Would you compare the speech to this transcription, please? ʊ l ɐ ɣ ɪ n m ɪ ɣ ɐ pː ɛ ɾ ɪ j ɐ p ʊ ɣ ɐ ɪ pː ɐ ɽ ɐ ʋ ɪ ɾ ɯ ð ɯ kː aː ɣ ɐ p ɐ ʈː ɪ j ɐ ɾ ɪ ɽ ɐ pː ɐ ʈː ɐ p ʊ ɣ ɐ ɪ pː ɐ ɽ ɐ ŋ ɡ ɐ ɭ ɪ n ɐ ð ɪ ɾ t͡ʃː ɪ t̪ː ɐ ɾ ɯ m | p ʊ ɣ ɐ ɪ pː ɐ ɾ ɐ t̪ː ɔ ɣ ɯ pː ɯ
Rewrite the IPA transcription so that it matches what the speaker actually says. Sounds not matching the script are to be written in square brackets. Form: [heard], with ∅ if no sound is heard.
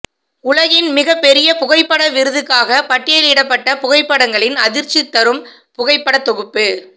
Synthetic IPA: ʊ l ɐ ɣ ɪ n m ɪ ɣ ɐ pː ɛ ɾ ɪ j ɐ p ʊ ɣ ɐ ɪ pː ɐ ɽ ɐ ʋ ɪ ɾ ɯ ð ɯ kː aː ɣ ɐ p ɐ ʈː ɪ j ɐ [l] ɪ ɽ ɐ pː ɐ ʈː ɐ p ʊ ɣ ɐ ɪ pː ɐ ɽ ɐ ŋ ɡ ɐ ɭ ɪ n ɐ ð ɪ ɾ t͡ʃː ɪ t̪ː ɐ ɾ ɯ m | p ʊ ɣ ɐ ɪ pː ɐ [ɽ] ɐ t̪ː ɔ ɣ ɯ pː ɯ